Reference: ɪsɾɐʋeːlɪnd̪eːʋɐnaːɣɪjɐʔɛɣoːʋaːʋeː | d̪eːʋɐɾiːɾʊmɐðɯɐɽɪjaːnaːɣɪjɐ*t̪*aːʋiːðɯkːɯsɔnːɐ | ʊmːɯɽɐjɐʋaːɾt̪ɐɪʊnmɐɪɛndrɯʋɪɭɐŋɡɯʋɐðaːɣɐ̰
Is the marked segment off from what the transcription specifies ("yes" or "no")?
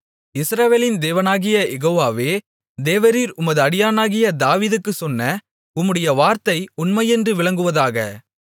yes